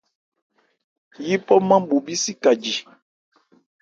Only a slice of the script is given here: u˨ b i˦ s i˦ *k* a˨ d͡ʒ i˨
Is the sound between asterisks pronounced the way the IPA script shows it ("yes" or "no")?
yes